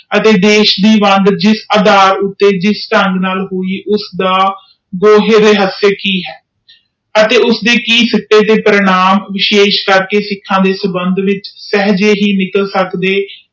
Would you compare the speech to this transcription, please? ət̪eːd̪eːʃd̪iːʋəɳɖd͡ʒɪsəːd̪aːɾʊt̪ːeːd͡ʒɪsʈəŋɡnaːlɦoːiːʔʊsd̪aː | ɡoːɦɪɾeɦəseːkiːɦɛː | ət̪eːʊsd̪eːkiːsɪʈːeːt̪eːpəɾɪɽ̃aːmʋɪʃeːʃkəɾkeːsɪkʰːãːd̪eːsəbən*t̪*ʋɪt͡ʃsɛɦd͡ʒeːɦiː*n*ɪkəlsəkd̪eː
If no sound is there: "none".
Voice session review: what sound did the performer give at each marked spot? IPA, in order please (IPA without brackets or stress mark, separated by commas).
d̪, n